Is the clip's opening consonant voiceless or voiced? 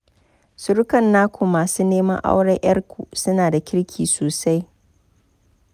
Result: voiceless